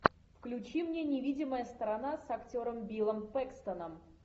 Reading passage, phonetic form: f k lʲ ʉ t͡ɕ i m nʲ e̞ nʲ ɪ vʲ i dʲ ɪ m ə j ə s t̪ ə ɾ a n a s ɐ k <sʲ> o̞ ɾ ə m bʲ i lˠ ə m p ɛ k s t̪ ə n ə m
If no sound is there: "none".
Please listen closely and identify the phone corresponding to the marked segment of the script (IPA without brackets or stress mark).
tʲ